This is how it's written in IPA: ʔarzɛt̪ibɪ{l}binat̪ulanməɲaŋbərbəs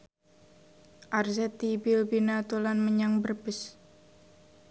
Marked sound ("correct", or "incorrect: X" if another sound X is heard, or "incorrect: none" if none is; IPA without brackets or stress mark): correct